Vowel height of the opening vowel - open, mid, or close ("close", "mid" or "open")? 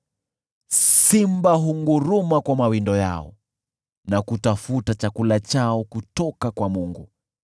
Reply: close